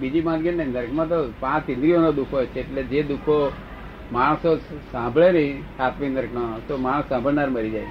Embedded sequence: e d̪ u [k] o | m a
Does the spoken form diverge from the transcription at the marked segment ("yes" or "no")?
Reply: yes